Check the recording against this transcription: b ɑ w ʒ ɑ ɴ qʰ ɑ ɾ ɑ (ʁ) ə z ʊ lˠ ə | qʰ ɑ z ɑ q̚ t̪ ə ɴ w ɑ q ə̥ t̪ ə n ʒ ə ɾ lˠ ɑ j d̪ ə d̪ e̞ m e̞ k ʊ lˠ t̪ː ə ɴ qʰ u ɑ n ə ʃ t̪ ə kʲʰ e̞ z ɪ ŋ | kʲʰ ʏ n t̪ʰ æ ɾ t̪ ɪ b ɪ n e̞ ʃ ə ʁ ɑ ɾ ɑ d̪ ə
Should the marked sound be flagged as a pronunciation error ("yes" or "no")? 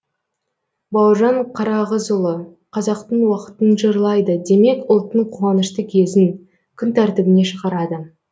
no